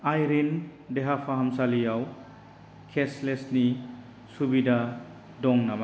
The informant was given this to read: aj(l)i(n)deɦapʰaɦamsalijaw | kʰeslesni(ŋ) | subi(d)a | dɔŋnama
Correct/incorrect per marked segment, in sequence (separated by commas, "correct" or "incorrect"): incorrect, correct, incorrect, correct